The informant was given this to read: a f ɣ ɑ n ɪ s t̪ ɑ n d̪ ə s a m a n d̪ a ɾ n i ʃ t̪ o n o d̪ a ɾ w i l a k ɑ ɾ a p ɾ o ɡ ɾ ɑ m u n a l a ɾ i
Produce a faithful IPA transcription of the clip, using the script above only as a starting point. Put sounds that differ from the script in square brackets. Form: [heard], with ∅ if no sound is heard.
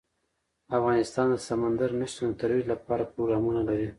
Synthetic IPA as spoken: a f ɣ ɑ n ɪ s t̪ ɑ n d̪ ə s a m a n d̪ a ɾ n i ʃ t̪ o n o [t̪] a ɾ w i l a [p] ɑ ɾ a p ɾ o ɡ ɾ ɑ m u n a l a ɾ i

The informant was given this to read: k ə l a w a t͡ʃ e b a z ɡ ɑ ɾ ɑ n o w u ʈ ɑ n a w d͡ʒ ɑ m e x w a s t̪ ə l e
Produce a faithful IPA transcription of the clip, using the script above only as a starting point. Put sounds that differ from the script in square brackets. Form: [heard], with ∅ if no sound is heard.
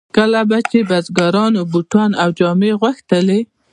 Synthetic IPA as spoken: k ə l a [b] a t͡ʃ e b a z ɡ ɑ ɾ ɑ n o [b] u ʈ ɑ n a w d͡ʒ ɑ m e [ɣ] w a [x] t̪ ə l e

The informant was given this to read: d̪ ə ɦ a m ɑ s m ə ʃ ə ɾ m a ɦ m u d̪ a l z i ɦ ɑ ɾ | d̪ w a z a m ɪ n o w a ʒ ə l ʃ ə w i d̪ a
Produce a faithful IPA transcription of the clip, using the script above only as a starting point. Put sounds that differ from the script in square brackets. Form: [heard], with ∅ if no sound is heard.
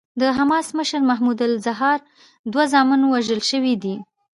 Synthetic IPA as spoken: d̪ ə ɦ a m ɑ s m ə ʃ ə ɾ m a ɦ m u d̪ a l z [a] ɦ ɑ ɾ | d̪ w a z [ɑ] m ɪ n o w a ʒ ə l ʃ ə w i d̪ [i]

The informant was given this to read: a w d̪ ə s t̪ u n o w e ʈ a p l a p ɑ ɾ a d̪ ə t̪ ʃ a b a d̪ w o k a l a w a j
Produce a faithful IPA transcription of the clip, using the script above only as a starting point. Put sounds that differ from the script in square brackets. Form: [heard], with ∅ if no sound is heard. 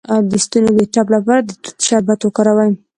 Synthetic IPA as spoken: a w d̪ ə s t̪ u n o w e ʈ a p l a p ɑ ɾ a d̪ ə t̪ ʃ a b a [t̪] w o k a [ɾ] a w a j

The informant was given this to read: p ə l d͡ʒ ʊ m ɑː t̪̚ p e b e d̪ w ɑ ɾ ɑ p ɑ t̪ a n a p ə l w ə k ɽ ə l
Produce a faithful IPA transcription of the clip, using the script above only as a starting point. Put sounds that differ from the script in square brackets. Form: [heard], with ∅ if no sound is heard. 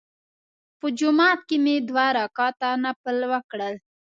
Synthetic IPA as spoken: p ə [∅] d͡ʒ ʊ m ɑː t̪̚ [k] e [m] e d̪ w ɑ ɾ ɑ [k] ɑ t̪ a n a p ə l w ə k ɽ ə l

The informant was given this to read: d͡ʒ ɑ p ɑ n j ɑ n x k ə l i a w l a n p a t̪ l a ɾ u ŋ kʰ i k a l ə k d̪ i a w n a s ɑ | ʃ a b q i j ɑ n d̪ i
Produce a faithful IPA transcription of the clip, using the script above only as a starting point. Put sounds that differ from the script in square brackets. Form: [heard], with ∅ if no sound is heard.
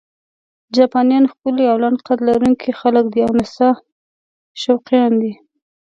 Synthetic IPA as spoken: d͡ʒ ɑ p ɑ n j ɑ n x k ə l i a w l a n [q] a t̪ l a ɾ u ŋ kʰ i [x] a l ə k d̪ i a w n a s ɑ | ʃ a [w] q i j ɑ n d̪ i

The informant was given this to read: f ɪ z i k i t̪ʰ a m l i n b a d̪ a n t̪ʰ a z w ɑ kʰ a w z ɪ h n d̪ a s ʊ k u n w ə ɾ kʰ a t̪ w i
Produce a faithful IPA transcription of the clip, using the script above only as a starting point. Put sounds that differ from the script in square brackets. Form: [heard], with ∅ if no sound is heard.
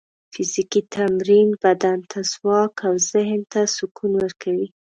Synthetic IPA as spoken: f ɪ z i k i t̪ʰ a m [ɾ] i n b a d̪ a n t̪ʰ a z w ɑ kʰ a w z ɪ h n [t̪] a s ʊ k u n w ə ɾ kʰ a [∅] w i

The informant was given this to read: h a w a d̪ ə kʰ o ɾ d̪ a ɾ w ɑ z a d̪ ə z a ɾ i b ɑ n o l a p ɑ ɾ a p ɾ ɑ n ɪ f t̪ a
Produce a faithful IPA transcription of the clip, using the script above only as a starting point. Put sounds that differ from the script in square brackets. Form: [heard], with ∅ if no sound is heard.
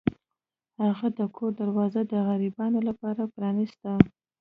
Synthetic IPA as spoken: h a [ɣ] a d̪ ə kʰ o ɾ d̪ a ɾ w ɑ z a d̪ ə [ɣ] a ɾ i b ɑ n o l a p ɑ ɾ a p ɾ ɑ n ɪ [s] t̪ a

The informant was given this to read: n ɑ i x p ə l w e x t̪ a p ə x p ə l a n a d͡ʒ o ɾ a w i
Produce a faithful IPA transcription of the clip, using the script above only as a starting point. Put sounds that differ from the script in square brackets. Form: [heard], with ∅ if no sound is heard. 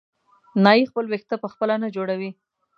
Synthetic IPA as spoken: n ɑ i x p ə l w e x t̪ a p ə x p ə l a n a d͡ʒ o [ɽ] a w i

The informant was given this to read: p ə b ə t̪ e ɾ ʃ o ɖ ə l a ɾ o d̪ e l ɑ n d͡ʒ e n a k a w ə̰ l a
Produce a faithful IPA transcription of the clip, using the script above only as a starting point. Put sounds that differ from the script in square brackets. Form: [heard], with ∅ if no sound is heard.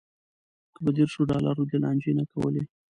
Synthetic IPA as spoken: [k] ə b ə [d̪] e ɾ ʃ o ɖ [ɑ] l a ɾ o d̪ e l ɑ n d͡ʒ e n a k a w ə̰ l [e]

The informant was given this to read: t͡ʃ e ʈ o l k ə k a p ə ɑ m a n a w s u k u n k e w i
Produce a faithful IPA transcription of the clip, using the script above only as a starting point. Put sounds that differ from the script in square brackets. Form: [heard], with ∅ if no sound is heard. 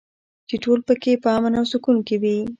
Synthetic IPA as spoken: t͡ʃ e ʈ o l [p] ə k [e] p ə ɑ m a n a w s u k u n k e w i

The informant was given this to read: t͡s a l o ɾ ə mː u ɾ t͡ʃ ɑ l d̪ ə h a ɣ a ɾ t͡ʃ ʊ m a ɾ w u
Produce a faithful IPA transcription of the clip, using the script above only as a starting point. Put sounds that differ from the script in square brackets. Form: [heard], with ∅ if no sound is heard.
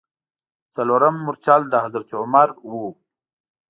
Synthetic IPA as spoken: t͡s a l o ɾ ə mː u ɾ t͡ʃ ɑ l d̪ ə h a [z] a ɾ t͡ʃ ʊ m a ɾ w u

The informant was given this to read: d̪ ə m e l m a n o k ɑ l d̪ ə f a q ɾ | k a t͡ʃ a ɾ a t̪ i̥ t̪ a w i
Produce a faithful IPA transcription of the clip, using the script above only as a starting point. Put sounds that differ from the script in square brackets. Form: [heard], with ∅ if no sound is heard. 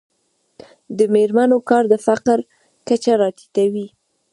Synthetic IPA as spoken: d̪ ə m e [ɾ] m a n o k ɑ [ɾ] d̪ ə f a q ɾ | k a t͡ʃ a ɾ [ɑ] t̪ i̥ t̪ a w i

